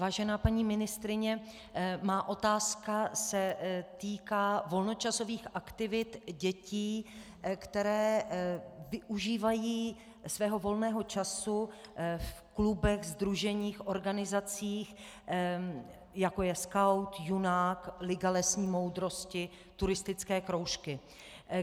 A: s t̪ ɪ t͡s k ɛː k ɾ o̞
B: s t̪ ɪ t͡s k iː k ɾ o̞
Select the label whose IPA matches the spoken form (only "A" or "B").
A